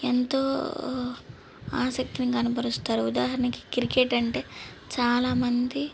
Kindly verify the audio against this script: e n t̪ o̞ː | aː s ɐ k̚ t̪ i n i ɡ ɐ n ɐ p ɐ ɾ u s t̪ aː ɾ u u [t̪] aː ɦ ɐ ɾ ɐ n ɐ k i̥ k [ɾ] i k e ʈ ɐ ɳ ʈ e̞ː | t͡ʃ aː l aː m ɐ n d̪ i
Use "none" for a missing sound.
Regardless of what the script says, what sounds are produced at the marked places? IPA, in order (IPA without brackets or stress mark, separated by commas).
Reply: d̪, ɾ